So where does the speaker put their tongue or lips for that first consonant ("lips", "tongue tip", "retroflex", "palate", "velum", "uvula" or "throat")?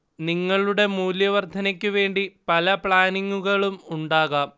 tongue tip